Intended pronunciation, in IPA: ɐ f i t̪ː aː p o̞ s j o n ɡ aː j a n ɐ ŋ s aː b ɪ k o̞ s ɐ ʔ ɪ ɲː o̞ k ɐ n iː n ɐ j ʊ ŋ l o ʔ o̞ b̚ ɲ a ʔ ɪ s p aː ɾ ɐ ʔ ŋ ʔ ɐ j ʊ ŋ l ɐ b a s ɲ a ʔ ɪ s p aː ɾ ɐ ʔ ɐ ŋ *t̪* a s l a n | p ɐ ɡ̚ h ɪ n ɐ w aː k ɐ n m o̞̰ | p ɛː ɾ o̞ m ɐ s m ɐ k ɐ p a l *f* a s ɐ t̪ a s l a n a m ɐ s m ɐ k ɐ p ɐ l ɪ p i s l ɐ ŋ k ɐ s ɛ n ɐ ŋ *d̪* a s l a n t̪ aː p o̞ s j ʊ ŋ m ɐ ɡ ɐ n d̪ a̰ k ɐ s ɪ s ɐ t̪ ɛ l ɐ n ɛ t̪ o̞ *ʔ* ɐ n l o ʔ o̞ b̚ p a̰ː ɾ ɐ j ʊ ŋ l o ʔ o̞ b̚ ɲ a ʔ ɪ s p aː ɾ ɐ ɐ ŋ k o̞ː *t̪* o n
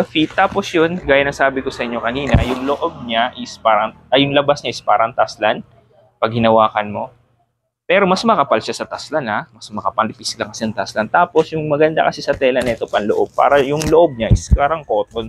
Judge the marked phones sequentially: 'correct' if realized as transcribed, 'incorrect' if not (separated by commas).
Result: correct, incorrect, incorrect, incorrect, correct